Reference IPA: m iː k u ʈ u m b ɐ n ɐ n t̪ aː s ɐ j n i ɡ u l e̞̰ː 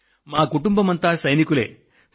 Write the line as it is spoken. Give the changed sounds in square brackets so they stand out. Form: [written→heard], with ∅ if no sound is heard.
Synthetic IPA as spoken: m [iː→aː] k u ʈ u m b ɐ [n→m] ɐ n t̪ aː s ɐ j n i [ɡ→k] u l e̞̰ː